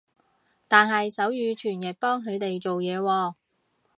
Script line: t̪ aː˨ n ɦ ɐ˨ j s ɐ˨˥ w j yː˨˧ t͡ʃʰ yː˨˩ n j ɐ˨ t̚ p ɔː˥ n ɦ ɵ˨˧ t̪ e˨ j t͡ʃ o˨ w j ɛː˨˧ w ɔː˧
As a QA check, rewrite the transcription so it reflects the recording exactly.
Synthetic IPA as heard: t̪ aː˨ n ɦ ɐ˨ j s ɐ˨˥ w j yː˨˧ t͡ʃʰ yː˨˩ n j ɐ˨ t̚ p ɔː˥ ŋ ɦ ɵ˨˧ t̪ e˨ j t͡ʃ o˨ w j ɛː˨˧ w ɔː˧